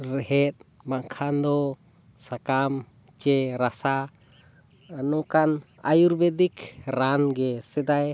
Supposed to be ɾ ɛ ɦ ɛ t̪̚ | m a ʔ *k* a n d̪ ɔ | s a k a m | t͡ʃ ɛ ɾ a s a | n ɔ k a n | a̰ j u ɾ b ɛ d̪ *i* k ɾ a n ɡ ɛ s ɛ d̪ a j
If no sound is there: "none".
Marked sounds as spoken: kʰ, i

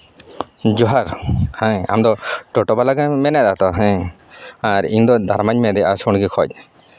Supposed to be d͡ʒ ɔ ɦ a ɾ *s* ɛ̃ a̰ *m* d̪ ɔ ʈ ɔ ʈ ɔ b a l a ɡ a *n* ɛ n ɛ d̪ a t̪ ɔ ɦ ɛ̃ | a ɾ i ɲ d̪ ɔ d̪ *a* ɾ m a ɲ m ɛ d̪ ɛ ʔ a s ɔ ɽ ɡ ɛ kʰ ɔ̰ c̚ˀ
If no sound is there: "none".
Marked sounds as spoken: h, m, m, a

